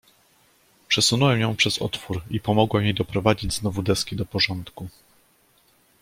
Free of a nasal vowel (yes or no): no